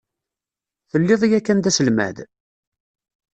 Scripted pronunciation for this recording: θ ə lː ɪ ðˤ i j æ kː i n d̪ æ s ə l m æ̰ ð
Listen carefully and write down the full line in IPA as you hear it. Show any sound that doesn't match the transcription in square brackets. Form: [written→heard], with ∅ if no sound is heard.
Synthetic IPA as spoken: θ ə lː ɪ ðˤ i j æ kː [i→æ] n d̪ æ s ə l m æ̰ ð